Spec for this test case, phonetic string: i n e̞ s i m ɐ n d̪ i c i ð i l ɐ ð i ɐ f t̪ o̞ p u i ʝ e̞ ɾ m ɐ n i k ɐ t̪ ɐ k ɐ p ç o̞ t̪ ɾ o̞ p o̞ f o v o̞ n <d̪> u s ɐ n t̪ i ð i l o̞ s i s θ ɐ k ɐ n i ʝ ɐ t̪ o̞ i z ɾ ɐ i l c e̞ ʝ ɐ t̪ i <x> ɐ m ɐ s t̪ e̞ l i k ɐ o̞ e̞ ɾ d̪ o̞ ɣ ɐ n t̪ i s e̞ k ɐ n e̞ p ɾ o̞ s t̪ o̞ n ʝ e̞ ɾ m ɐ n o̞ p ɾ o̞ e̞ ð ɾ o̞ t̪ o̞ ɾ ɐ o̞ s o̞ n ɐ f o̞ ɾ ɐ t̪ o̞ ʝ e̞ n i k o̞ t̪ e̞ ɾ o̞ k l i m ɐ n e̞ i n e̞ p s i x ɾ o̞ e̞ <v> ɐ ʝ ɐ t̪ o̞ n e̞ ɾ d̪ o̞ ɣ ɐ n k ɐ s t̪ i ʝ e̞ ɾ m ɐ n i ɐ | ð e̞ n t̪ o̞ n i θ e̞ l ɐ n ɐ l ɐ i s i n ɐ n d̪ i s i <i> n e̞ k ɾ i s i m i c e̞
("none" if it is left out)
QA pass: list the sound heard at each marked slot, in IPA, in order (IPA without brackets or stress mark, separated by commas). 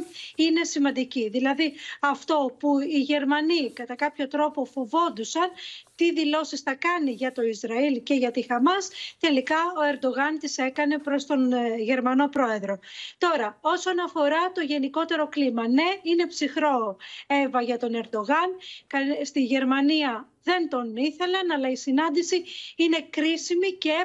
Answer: d̪, x, v, i